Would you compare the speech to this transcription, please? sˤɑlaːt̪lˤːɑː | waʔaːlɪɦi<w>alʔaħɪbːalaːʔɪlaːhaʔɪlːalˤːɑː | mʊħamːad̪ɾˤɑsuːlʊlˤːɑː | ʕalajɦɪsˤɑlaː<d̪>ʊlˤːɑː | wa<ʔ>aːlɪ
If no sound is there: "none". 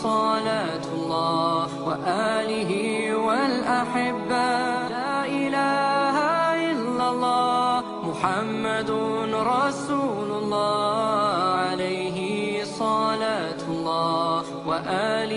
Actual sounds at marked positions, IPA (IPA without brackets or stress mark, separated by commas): w, t̪, ʔ